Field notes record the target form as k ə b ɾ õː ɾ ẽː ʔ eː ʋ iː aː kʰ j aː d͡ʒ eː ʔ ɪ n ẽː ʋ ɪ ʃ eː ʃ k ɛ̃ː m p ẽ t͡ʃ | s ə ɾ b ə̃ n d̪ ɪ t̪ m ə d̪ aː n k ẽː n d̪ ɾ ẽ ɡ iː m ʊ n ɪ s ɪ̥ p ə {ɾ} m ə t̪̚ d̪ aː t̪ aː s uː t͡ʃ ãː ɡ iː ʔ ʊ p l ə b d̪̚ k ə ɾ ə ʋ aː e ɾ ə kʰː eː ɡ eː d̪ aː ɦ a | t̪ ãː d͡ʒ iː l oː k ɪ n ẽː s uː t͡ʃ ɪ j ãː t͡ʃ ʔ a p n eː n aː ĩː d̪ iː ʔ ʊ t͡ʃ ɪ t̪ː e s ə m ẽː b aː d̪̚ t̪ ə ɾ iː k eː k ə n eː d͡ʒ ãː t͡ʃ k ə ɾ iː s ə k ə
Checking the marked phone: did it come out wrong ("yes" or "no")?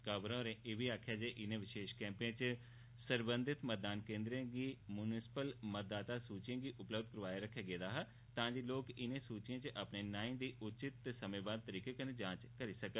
yes